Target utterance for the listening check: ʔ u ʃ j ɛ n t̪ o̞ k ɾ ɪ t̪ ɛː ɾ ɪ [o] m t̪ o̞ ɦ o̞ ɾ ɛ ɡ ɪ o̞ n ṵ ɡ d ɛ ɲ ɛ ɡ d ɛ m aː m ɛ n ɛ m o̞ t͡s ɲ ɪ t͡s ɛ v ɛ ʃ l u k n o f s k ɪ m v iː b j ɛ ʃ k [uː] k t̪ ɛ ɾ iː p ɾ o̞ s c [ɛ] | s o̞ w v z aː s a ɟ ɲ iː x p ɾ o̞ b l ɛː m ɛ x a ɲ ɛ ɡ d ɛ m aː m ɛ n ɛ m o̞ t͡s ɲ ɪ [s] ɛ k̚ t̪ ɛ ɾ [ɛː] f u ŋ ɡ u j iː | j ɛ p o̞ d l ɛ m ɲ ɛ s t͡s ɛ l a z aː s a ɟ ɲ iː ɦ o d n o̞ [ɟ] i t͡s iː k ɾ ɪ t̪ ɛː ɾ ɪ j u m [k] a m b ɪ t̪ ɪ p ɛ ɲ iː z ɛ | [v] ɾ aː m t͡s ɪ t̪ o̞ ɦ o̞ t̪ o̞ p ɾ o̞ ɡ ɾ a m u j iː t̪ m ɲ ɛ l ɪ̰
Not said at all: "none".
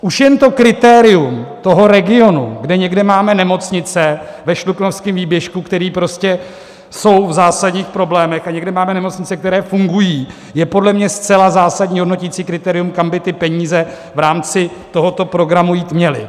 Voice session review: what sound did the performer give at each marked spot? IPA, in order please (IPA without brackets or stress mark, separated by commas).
u, u, ɛ, t͡s, ɛː, c, k, v